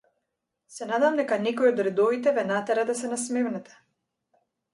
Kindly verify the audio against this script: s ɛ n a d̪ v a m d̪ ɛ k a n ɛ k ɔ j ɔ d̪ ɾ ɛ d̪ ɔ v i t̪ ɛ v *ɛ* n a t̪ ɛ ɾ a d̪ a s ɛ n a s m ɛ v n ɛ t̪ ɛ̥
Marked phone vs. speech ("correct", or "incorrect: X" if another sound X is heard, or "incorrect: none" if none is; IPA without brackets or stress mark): correct